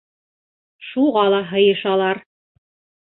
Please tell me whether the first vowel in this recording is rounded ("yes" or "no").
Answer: yes